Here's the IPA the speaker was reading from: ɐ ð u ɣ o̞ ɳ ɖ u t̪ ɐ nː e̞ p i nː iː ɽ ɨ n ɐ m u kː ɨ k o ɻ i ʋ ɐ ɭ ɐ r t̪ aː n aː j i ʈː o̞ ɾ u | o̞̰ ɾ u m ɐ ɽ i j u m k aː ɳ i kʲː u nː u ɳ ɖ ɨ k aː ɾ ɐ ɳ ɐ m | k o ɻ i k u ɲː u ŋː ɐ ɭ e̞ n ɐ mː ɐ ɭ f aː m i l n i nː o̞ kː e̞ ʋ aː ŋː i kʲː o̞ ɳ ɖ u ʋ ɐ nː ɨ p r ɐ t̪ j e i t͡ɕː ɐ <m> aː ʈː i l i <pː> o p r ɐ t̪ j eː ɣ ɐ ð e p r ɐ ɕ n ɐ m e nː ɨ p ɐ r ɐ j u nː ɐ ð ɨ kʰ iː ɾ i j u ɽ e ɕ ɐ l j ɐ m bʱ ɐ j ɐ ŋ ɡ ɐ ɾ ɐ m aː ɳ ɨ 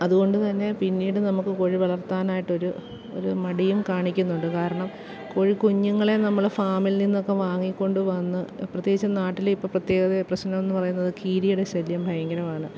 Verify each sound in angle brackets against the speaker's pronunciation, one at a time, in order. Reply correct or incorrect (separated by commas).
incorrect, correct